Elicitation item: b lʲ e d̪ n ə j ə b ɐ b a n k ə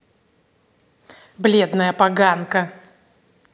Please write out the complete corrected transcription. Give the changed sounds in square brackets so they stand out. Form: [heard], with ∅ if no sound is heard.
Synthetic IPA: b lʲ e d̪ n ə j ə [p] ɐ [ɡ] a n k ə